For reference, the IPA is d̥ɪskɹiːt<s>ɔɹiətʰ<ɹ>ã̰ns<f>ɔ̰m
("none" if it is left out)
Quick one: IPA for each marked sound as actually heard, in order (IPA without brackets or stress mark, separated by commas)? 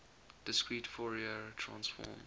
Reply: f, ɹ, f